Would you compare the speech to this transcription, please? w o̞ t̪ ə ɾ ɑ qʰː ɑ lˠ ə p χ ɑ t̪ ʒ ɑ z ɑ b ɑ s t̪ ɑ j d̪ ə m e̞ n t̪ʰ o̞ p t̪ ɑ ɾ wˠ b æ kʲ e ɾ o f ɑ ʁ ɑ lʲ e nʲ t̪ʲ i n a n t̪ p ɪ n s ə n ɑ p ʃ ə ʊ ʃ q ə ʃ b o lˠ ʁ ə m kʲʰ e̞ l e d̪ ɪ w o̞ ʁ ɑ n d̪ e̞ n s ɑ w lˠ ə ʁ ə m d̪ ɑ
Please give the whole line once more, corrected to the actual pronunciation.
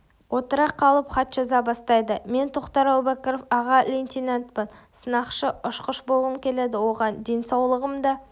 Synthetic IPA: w o̞ t̪ ə ɾ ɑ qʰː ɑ lˠ ə p χ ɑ t̪ ʒ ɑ z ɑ b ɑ s t̪ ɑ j d̪ ə m e̞ n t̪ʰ o̞ q t̪ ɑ ɾ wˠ b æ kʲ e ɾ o f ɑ ʁ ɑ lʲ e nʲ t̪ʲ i n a n t̪ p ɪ n s ə n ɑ q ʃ ə ʊ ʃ q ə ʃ b o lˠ ʁ ə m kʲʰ e̞ l e d̪ ɪ w o̞ ʁ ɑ n d̪ e̞ n s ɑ w lˠ ə ʁ ə m d̪ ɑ